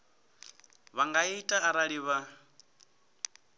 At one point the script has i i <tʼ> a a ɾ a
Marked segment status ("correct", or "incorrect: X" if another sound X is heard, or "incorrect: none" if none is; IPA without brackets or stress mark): correct